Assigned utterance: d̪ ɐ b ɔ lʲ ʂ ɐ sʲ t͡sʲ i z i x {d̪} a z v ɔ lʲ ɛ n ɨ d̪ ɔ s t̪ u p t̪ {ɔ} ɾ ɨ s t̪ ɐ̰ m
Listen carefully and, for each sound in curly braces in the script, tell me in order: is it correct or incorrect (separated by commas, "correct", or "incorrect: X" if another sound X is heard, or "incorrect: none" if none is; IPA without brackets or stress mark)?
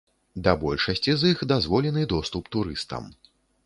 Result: correct, incorrect: u